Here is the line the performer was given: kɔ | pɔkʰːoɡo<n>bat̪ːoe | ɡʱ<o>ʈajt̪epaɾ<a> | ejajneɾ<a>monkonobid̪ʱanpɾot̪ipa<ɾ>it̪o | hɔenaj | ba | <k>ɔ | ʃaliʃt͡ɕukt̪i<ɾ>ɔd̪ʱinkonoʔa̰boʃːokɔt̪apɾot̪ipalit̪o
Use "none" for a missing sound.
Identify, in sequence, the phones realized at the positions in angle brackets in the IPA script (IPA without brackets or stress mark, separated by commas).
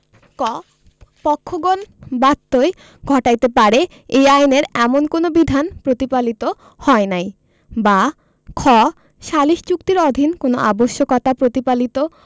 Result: n, ɔ, e, ɛ, l, kʰ, ɾ